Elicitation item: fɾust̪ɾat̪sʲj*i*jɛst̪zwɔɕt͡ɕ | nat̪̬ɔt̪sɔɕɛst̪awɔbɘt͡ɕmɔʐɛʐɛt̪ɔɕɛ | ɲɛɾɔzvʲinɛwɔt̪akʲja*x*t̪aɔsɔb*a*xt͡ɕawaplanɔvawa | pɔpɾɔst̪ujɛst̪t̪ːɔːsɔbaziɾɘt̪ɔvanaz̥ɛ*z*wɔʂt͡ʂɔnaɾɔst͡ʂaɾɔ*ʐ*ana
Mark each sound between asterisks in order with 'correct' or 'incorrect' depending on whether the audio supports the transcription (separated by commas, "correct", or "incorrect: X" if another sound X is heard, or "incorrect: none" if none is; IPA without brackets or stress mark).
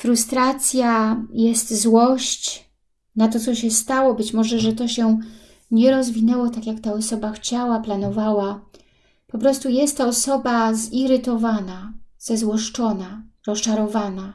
incorrect: a, incorrect: k, correct, correct, incorrect: v